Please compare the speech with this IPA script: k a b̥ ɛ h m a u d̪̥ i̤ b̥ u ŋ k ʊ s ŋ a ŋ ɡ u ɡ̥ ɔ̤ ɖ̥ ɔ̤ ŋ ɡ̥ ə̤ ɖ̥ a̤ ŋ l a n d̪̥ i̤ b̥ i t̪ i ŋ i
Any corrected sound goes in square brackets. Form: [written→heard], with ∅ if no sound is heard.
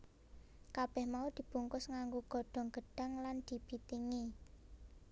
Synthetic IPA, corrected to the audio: k a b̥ ɛ h m a u d̪̥ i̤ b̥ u ŋ k ʊ s ŋ a ŋ ɡ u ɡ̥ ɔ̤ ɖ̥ ɔ̤ ŋ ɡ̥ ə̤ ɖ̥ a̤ ŋ l a n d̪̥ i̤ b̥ i t̪ i ŋ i